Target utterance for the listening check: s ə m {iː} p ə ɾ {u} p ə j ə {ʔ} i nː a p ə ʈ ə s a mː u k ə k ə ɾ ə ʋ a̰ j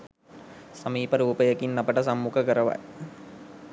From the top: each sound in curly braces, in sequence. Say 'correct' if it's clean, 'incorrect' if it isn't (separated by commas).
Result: correct, incorrect, incorrect